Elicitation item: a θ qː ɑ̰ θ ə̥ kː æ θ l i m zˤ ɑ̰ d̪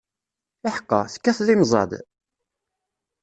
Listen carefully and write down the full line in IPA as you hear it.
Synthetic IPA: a ħ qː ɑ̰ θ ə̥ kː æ θ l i m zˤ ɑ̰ d̪